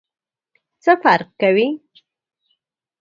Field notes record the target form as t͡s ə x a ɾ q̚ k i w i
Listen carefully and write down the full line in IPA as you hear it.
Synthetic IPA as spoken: t͡s ə f a ɾ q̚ k a w i